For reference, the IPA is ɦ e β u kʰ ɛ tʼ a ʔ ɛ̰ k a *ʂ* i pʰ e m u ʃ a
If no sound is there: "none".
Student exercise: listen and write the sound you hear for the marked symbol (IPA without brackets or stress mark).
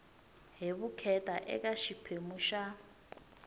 ʃ